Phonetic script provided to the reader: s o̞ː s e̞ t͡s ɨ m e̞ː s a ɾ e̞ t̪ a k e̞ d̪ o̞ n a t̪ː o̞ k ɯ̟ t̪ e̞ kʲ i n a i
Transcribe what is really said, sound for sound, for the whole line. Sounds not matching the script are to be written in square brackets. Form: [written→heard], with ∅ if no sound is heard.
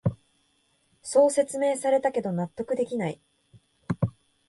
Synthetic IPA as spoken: s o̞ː s e̞ t͡s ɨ m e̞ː s a ɾ e̞ t̪ a k e̞ d̪ o̞ n a t̪ː o̞ k ɯ̟ [t̪→d̪] e̞ kʲ i n a i